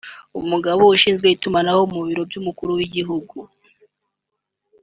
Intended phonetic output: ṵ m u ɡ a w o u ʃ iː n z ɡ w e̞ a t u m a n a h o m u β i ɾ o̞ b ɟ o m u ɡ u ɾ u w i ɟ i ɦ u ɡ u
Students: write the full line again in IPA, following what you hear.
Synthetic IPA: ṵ m u ɡ a β o u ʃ iː n z ɡ w e̞ i t u m a n a h o m u β i ɾ o̞ b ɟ u m u k u ɾ u w i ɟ i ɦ u ɡ u